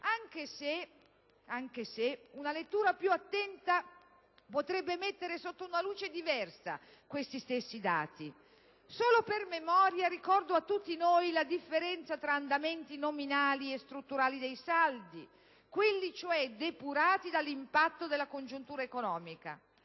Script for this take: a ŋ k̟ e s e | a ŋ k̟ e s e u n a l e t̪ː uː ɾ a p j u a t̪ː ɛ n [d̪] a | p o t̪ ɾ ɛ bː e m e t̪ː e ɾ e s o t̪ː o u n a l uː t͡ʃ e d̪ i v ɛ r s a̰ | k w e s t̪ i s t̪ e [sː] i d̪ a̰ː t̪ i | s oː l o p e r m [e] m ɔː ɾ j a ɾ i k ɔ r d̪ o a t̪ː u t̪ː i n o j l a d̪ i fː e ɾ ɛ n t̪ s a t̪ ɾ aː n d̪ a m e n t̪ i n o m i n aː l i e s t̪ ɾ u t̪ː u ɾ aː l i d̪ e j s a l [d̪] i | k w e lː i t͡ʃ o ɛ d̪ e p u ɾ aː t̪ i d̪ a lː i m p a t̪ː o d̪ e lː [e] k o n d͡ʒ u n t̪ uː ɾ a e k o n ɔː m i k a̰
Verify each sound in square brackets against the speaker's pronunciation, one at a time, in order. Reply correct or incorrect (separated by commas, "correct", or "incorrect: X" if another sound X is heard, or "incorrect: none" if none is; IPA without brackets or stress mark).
incorrect: t̪, correct, correct, correct, incorrect: a